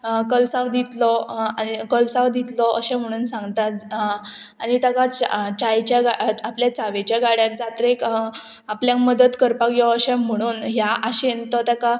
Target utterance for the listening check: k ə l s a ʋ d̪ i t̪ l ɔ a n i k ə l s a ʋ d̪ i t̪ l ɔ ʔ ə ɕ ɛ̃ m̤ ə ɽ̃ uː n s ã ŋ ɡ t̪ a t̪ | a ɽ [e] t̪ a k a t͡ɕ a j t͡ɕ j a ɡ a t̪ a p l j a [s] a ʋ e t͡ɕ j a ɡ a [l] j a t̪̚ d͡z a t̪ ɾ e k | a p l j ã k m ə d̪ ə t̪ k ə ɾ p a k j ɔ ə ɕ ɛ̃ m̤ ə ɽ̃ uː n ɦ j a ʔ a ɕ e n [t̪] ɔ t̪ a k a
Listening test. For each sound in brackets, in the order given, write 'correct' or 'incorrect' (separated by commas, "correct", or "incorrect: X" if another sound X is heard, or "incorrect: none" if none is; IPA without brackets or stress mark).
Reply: incorrect: i, incorrect: t͡s, incorrect: ɽ, correct